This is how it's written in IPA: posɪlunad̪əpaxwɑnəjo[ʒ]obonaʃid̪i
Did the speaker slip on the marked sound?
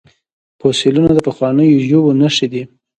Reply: no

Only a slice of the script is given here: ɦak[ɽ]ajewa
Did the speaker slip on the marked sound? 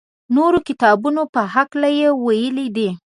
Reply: yes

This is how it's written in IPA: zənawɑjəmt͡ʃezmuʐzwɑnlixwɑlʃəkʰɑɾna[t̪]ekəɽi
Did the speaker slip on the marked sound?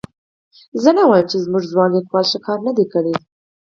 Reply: yes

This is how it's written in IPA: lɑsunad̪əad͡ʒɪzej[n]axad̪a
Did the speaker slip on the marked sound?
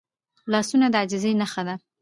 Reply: no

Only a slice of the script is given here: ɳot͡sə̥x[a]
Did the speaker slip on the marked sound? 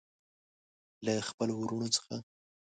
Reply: no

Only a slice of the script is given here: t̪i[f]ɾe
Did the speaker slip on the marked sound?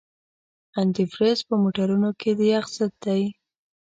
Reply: no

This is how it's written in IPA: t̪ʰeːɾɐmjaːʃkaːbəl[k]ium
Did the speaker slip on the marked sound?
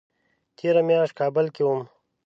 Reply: no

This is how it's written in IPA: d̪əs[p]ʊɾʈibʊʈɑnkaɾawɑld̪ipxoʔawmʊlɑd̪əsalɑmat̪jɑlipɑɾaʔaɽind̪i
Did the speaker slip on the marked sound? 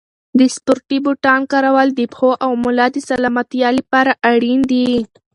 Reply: no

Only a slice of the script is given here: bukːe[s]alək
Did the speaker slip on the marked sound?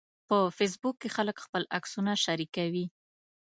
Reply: yes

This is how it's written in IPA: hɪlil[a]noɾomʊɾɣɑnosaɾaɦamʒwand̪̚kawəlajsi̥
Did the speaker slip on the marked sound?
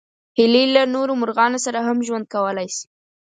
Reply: no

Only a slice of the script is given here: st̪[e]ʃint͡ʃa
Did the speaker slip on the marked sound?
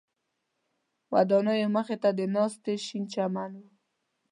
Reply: no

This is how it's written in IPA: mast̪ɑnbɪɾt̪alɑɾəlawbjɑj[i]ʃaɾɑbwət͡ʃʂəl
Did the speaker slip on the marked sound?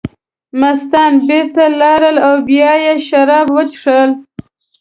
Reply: yes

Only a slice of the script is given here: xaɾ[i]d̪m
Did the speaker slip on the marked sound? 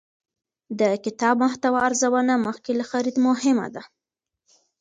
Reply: no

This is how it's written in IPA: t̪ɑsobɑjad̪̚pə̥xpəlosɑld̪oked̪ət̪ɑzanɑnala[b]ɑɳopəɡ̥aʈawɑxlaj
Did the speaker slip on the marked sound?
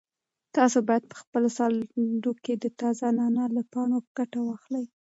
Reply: yes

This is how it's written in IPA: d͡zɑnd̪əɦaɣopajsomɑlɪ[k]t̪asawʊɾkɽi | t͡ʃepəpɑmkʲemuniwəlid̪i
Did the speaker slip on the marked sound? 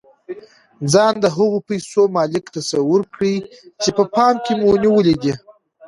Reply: no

